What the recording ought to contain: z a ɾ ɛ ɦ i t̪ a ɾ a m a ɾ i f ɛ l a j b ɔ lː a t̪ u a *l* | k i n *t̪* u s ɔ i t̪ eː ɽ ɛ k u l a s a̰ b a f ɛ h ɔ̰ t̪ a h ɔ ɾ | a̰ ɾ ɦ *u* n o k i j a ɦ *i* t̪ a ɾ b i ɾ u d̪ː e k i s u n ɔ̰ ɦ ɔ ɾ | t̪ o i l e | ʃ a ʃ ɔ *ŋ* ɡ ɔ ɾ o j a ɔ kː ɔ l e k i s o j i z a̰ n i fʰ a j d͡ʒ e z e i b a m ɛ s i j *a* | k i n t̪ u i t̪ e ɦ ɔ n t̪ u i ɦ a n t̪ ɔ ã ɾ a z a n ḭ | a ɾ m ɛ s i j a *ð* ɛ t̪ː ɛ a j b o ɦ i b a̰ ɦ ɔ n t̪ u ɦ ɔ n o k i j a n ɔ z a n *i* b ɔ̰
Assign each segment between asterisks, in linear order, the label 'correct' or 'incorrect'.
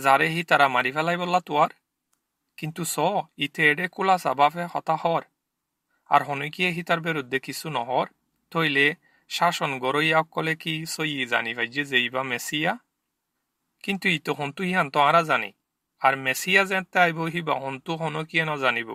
incorrect, correct, incorrect, correct, incorrect, correct, incorrect, correct

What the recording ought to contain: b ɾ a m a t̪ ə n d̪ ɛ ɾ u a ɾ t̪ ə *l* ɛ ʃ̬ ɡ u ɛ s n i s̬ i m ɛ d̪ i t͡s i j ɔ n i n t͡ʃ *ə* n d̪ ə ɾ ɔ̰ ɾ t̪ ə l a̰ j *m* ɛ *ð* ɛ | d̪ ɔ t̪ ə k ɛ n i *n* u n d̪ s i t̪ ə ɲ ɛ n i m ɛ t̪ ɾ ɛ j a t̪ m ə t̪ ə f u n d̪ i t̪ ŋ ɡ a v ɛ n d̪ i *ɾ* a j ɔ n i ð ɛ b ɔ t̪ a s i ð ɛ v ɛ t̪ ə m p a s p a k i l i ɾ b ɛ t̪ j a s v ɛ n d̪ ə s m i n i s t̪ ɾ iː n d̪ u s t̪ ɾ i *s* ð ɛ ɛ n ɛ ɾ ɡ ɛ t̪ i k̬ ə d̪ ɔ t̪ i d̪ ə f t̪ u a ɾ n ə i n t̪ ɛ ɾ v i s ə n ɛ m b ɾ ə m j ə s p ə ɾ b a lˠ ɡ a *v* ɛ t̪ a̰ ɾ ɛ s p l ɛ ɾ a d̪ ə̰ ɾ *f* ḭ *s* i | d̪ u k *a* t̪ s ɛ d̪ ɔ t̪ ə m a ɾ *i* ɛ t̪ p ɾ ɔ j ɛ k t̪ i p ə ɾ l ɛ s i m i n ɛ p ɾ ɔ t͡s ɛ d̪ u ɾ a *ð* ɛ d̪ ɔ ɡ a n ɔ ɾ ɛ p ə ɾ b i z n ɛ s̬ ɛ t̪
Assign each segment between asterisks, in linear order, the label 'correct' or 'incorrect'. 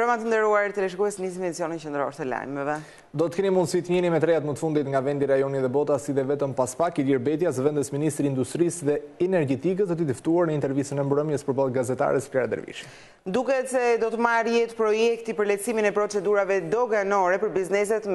correct, correct, correct, incorrect, incorrect, correct, correct, incorrect, incorrect, incorrect, incorrect, incorrect, incorrect

